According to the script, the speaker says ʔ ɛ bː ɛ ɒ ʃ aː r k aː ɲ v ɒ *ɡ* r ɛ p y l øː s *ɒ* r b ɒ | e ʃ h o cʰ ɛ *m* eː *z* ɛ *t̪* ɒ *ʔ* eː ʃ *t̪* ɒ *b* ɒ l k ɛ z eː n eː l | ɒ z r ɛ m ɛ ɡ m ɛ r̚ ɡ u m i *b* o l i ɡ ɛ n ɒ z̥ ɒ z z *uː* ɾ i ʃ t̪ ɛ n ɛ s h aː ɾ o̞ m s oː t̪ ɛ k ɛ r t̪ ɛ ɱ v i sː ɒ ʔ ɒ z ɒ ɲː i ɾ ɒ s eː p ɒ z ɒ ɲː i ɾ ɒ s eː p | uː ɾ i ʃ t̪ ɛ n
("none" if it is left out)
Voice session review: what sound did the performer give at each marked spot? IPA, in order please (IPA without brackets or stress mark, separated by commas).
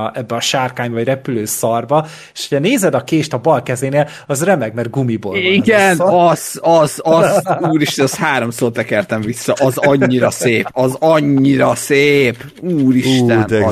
ɟ, ɒ, n, z, d̪, k, t̪, b, b, uː